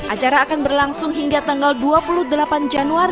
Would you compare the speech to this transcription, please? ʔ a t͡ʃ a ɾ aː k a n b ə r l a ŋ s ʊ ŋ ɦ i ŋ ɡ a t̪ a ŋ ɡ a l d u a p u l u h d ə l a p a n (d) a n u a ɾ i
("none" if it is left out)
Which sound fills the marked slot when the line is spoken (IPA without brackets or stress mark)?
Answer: d͡ʒ